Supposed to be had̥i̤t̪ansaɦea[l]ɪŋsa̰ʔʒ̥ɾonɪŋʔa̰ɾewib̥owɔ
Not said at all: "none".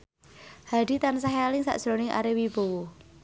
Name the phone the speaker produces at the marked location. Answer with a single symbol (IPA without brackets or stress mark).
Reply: l